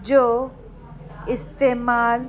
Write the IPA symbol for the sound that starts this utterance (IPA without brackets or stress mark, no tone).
d͡ʑ